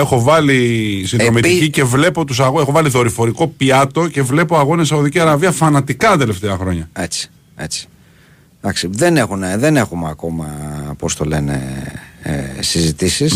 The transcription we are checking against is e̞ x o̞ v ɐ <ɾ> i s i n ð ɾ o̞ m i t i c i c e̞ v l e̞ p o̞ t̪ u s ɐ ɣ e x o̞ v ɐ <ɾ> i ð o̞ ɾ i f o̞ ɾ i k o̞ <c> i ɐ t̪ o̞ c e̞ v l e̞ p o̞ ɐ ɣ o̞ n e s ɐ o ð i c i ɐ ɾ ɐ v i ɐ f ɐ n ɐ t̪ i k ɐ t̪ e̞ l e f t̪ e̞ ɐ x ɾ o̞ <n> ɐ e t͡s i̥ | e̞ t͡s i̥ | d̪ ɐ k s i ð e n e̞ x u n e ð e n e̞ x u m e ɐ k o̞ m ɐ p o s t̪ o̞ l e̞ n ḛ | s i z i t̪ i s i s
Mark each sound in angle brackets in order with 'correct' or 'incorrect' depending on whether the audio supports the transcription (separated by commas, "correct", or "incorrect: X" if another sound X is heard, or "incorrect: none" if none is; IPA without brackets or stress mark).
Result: incorrect: l, incorrect: l, incorrect: p, incorrect: ɲ